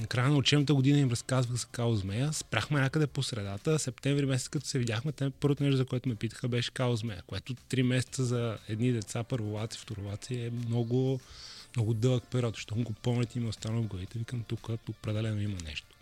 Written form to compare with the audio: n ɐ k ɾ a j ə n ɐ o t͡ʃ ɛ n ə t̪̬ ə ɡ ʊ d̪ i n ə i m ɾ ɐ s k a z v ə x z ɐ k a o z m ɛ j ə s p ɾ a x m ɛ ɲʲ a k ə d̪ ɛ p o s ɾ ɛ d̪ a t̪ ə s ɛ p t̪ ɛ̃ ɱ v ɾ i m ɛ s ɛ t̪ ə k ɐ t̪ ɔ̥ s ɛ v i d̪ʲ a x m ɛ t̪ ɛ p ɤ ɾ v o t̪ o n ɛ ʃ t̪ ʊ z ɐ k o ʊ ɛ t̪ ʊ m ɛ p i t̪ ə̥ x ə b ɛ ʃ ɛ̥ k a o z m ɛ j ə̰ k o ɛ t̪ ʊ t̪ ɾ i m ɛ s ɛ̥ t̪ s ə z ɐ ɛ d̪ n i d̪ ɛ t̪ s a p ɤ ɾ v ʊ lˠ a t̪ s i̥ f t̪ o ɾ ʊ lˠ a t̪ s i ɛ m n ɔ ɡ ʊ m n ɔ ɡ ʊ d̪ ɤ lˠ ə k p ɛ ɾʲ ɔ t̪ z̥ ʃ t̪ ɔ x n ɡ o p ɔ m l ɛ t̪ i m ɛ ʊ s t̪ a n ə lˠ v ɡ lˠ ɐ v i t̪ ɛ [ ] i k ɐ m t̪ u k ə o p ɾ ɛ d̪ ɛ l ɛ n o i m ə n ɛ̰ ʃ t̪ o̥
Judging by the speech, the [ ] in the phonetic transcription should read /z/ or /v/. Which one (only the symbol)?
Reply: v